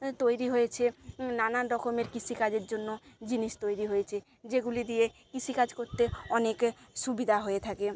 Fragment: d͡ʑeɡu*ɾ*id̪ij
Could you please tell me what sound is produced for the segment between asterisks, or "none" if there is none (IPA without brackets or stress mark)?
l